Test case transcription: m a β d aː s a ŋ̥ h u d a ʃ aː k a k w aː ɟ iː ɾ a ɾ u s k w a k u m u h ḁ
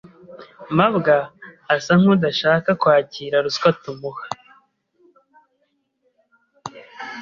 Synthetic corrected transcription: m a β ɡ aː s a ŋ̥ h u d a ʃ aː k a k w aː c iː ɾ a ɾ u s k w a t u m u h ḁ

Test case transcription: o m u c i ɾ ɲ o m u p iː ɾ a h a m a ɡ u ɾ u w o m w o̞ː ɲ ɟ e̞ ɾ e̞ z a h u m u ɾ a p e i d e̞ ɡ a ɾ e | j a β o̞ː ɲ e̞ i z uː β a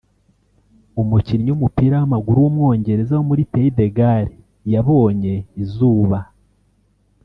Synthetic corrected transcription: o m u c i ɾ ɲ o m u p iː ɾ a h a m a ɡ u ɾ u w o m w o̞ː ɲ ɟ e̞ ɾ e̞ z a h o m u ɾ i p e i d e̞ ɡ a ɾ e | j a β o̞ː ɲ e̞ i z uː β a

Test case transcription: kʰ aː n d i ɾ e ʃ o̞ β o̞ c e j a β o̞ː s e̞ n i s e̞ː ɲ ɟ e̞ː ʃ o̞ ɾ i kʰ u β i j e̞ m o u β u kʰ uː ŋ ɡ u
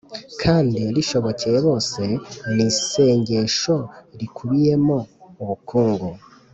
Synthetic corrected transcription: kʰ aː n d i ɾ i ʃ o̞ β o̞ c e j e β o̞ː s e̞ n i s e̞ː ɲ ɟ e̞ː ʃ o̞ ɾ i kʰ u β i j e̞ m o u β u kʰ uː ŋ ɡ u

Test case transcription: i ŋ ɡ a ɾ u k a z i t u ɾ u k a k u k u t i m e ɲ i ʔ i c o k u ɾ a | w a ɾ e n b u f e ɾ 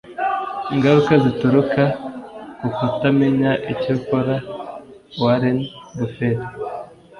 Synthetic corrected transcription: i ŋ ɡ a ɾ u k a z i t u ɾ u k a k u k u t a m e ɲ a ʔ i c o k o ɾ a | w a ɾ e n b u f e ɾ

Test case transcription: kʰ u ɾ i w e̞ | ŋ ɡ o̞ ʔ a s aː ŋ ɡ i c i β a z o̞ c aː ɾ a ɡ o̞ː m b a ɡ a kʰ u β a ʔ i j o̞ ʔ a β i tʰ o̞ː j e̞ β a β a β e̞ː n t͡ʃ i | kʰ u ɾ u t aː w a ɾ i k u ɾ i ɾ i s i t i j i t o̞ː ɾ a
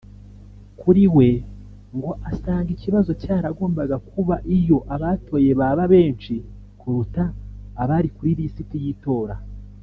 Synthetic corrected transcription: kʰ u ɾ i w e̞ | ŋ ɡ o̞ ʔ a s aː ŋ ɡ i c i β a z o̞ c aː ɾ a ɡ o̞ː m b a ɡ a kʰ u β a ʔ i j o̞ ʔ a β a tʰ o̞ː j e̞ β a β a β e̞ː n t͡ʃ i | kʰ u ɾ u t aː β a ɾ i k u ɾ i ɾ i s i t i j i t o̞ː ɾ a

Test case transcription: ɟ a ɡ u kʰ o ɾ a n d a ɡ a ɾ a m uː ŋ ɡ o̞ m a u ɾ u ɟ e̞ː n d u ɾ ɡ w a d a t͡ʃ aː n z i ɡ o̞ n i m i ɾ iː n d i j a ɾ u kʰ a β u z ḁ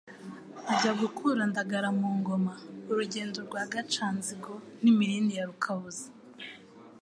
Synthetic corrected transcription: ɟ a ɡ u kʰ u ɾ a n d a ɡ a ɾ a m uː ŋ ɡ o̞ m a u ɾ u ɟ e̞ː n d u ɾ ɡ w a ɡ a t͡ʃ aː n z i ɡ o̞ n i m i ɾ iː n d i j a ɾ u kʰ a β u z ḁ

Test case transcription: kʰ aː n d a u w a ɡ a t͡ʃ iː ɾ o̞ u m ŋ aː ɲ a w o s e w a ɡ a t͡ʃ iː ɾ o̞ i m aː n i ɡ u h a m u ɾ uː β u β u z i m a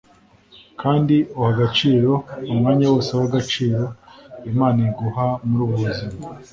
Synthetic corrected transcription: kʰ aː n d i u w a ɡ a t͡ʃ iː ɾ o̞ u m ŋ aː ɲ a w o s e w a ɡ a t͡ʃ iː ɾ o̞ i m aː n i ɡ u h a m u ɾ uː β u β u z i m a

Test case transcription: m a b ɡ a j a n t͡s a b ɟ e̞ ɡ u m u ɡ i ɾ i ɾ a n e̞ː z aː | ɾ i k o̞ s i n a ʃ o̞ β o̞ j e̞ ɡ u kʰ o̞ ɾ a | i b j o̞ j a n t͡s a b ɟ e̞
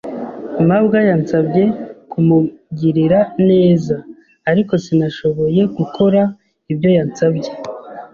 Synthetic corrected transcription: m a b ɡ a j a n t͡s a b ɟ e̞ k u m u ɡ i ɾ i ɾ a n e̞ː z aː | ɾ i k o̞ s i n a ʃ o̞ β o̞ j e̞ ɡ u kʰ o̞ ɾ a | i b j o̞ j a n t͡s a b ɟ e̞

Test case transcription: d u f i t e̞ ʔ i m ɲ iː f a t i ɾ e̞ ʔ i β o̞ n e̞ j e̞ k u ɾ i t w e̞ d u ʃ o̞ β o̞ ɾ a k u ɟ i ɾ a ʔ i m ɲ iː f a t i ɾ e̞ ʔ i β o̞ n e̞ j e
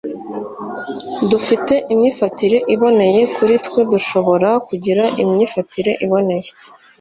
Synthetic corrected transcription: d u f i t e̞ ʔ i m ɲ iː f a t i ɾ e̞ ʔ i β o̞ n e̞ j e̞ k u ɾ i t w e̞ d u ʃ o̞ β o̞ ɾ a k u ɟ i ɾ a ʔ i m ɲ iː f a t i ɾ e̞ ʔ i β o̞ n e̞ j e

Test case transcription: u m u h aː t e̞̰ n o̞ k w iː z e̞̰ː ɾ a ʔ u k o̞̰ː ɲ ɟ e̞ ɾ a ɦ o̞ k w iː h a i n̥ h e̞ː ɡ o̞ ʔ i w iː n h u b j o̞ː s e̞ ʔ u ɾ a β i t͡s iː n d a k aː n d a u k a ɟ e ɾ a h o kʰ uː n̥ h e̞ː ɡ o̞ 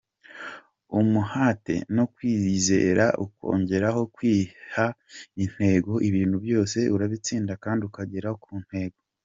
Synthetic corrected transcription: u m u h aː t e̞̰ n o̞ k w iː z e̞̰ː ɾ a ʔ u k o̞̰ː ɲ ɟ e̞ ɾ a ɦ o̞ k w iː h a i n̥ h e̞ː ɡ o̞ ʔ i β iː n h u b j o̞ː s e̞ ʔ u ɾ a β i t͡s iː n d a k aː n d i u k a ɟ e ɾ a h o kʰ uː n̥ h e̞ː ɡ o̞

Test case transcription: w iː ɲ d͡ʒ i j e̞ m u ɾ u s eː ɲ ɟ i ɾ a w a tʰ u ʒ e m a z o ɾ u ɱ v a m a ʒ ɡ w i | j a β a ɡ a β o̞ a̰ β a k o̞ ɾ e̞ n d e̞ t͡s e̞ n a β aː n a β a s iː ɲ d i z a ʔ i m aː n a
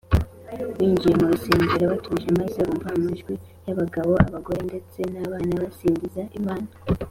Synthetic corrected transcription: w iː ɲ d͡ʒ i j e̞ m u ɾ u s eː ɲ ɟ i ɾ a β a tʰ u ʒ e m a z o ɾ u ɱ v a m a ʒ ɡ w i | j a β a ɡ a β o̞ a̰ β a ɡ o̞ ɾ e̞ n d e̞ t͡s e̞ n a β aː n a β a s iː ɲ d i z a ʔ i m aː n a

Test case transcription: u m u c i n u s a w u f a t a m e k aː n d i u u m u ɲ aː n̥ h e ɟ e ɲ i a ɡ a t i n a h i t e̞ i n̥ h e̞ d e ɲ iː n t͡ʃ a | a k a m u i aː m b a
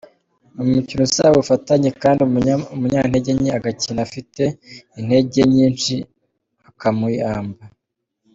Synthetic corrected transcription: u m u c i n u s a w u f a t a ɲ e k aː n d i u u m u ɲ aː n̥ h e ɟ e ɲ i a ɡ a c i n a f i t e̞ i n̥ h e̞ ɟ e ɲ iː n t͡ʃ i | a k a m u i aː m b a

